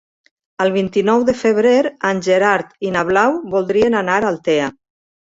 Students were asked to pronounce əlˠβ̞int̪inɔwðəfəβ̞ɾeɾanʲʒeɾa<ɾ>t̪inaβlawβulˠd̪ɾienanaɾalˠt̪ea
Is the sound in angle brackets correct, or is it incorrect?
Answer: correct